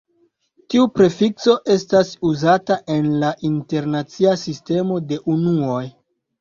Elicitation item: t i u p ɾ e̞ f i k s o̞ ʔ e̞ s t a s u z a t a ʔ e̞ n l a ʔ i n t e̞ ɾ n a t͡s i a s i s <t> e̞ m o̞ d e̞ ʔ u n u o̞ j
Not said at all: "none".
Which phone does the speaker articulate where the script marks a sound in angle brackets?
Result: t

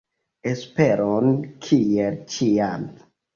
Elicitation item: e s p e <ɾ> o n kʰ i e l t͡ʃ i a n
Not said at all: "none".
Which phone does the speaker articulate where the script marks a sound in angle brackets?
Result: ɾ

